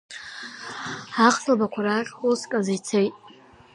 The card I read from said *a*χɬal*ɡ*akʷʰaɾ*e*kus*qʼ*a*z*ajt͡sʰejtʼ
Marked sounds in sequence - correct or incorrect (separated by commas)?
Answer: correct, incorrect, incorrect, incorrect, correct